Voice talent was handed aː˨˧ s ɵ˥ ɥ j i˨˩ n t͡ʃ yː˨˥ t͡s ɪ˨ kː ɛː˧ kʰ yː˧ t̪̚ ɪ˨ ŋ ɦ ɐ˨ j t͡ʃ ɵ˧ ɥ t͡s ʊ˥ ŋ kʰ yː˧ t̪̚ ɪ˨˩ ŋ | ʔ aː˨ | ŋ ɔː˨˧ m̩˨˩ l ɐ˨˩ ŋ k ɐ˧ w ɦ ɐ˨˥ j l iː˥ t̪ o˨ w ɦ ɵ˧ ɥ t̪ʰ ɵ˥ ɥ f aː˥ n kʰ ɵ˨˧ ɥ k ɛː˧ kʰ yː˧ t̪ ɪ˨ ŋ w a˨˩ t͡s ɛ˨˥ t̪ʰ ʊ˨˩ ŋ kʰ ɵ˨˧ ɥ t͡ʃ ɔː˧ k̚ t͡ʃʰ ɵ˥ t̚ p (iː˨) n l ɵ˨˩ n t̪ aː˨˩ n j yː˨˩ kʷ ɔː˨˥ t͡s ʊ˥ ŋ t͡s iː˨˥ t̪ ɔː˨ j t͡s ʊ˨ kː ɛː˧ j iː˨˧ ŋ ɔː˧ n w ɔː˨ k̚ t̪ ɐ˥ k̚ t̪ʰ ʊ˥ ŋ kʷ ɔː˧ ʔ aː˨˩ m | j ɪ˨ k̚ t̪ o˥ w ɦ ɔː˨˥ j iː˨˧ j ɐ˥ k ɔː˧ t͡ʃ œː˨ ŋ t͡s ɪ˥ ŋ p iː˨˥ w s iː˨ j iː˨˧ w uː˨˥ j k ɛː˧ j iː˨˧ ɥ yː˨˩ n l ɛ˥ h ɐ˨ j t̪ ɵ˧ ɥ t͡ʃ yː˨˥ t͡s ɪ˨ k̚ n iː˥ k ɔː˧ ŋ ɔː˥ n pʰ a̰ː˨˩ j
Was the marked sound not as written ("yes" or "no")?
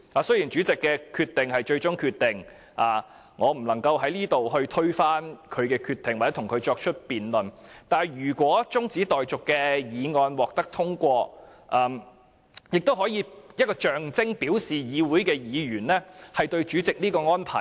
no